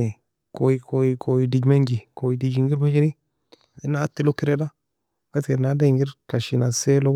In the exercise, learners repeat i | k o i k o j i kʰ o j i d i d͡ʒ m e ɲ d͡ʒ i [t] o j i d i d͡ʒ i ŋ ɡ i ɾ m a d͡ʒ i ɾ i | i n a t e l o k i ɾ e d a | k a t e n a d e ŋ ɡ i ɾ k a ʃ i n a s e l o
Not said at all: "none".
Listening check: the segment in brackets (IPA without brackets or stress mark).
k